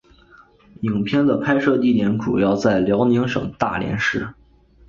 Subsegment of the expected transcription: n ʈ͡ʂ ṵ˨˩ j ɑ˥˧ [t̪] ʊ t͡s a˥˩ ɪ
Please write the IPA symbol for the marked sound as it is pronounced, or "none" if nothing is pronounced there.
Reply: none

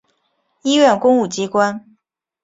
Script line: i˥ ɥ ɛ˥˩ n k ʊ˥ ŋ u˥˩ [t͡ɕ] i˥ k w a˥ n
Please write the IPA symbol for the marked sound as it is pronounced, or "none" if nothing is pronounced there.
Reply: t͡ɕ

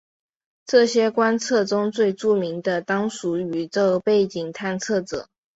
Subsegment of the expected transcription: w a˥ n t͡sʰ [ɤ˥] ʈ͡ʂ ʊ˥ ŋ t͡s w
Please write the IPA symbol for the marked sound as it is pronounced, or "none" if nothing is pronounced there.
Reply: ɤ˥˩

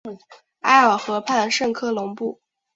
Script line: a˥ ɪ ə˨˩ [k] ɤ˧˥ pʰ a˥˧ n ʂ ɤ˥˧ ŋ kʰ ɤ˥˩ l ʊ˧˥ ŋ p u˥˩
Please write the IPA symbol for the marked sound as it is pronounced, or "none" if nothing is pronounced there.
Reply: x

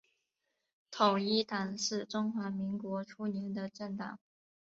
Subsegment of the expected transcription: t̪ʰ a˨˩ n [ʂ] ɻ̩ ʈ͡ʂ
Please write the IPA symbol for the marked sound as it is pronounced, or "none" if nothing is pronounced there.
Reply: ʂ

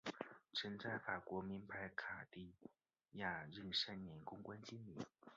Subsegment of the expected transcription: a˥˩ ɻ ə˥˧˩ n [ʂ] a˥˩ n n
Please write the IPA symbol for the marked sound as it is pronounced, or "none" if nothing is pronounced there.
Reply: ʂ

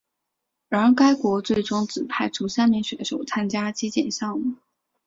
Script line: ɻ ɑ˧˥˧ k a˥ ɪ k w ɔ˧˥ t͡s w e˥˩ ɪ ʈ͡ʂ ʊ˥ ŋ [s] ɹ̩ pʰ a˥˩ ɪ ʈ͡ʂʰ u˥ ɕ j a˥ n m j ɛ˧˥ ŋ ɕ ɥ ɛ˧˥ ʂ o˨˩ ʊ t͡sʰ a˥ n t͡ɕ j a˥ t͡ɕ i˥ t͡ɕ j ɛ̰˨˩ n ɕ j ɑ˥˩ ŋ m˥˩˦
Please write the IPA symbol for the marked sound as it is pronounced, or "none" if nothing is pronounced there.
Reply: t͡s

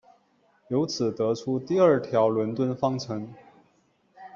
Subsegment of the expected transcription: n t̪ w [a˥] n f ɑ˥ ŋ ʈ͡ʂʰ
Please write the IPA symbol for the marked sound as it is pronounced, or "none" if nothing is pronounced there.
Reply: ə˥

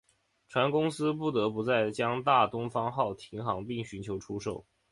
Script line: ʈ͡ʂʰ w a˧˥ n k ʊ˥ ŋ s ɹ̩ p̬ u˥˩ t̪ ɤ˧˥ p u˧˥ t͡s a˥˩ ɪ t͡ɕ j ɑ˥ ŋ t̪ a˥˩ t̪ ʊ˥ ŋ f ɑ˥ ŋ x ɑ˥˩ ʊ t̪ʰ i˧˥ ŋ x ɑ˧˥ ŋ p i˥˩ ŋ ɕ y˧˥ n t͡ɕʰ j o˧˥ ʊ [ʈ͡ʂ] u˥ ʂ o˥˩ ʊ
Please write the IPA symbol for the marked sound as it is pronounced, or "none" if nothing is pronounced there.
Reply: ʈ͡ʂʰ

